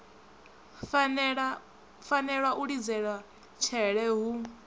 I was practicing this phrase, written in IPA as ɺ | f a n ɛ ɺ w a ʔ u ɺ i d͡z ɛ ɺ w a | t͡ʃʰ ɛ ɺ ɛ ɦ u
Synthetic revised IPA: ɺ | f a n ɛ ɺ w a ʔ u ɺ i d͡z ɛ ɺ w a | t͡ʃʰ ɛ ɺ ɛ ɦ u